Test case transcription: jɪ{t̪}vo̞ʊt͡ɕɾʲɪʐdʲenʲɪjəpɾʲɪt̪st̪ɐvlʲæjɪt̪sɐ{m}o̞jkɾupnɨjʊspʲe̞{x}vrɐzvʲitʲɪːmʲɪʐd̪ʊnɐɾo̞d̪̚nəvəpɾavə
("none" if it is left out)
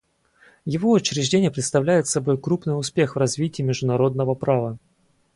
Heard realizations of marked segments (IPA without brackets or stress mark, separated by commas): none, b, x